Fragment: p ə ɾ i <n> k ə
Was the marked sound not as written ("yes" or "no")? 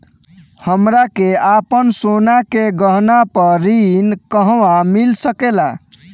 no